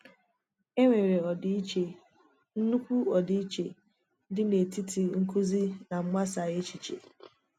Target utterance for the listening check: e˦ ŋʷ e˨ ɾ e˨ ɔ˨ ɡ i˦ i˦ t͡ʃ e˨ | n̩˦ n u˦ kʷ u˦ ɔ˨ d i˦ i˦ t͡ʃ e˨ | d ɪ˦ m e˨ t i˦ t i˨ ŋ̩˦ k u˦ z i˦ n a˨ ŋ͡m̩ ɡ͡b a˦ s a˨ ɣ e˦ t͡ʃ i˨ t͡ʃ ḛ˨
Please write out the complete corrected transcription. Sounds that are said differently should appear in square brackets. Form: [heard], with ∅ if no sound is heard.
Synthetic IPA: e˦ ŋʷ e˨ ɾ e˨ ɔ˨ [d] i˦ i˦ t͡ʃ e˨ | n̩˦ n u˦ kʷ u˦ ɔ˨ d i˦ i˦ t͡ʃ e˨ | d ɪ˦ [n] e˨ t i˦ t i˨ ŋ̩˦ k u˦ z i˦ n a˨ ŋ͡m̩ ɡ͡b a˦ s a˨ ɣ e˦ t͡ʃ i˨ t͡ʃ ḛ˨